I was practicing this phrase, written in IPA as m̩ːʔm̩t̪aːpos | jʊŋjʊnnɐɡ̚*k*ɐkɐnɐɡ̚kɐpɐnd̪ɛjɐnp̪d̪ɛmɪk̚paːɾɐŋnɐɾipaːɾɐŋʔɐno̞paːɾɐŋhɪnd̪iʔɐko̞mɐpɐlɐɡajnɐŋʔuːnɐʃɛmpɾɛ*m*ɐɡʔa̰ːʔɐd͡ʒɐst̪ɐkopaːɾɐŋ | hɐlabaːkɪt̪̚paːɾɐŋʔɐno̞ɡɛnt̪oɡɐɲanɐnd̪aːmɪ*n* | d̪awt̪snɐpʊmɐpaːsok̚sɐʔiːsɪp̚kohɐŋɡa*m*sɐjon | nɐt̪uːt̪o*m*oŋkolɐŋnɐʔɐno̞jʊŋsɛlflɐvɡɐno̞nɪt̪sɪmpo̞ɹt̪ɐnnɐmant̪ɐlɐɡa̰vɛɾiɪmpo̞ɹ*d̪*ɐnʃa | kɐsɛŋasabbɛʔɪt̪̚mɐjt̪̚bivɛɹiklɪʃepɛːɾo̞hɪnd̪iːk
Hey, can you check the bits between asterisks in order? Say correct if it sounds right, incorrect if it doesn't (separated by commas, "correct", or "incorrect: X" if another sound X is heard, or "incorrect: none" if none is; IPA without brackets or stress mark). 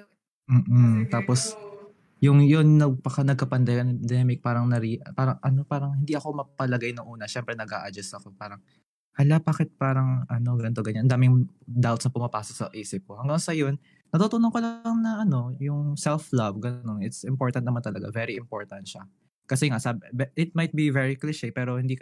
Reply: incorrect: p, incorrect: n, incorrect: ŋ, incorrect: ŋ, incorrect: n, incorrect: t̪